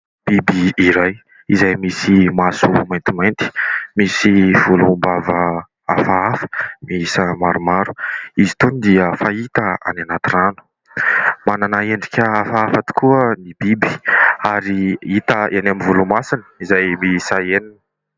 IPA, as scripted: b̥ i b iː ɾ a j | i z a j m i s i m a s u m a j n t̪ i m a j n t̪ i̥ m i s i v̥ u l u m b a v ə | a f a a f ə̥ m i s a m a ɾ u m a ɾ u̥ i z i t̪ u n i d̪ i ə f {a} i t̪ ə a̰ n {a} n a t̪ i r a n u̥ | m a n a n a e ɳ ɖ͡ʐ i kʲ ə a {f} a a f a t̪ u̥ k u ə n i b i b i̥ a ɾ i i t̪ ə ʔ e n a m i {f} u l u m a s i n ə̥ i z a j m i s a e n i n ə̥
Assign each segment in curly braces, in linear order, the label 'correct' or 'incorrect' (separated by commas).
correct, correct, correct, incorrect